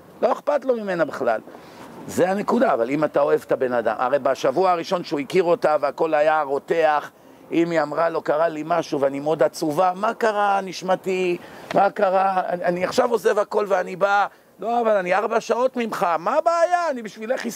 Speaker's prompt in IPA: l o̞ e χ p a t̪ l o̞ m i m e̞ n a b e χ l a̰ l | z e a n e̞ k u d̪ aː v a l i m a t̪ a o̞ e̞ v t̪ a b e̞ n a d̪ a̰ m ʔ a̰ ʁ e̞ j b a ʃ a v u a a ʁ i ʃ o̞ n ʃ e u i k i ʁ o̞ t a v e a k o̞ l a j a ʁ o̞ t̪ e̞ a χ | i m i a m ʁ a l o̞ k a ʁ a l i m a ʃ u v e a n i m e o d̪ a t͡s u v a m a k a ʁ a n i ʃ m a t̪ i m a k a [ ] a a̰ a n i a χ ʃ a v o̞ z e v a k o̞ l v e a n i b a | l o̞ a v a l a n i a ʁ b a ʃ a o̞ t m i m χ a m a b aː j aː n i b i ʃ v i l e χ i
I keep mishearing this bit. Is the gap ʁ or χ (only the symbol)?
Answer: ʁ